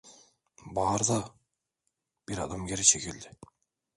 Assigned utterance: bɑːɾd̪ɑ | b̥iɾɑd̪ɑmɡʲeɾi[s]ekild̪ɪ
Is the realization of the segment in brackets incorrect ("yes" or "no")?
yes